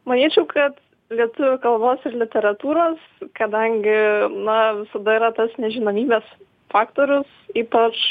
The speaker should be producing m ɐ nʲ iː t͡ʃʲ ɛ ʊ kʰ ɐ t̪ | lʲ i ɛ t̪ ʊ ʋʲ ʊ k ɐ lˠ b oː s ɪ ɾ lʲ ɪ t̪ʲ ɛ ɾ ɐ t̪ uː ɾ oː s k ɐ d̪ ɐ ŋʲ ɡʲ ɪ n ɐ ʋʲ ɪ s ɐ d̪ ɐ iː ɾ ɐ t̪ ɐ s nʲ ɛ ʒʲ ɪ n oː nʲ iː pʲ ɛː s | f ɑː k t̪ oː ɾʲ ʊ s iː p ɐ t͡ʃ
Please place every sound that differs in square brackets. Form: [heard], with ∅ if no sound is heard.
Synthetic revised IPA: m ɐ nʲ iː t͡ʃʲ ɛ ʊ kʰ ɐ t̪ | lʲ i ɛ t̪ ʊ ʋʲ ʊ k ɐ lˠ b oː s ɪ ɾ lʲ ɪ t̪ʲ ɛ ɾ ɐ t̪ uː ɾ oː s k ɐ d̪ ɐ ŋʲ ɡʲ ɪ n ɐ ʋʲ ɪ s ɐ d̪ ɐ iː ɾ ɐ t̪ ɐ s nʲ ɛ ʒʲ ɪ n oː [mʲ] iː [bʲ] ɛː s | f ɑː k t̪ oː ɾʲ ʊ s iː p ɐ t͡ʃ